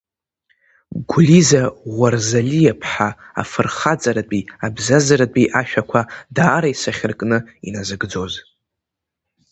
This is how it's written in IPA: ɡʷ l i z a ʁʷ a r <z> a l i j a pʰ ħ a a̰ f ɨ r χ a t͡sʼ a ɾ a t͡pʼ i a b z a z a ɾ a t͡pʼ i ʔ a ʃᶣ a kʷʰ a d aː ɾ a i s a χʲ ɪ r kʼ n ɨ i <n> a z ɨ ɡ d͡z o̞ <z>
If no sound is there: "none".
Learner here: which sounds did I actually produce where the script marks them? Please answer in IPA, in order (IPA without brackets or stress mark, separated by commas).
z, n, z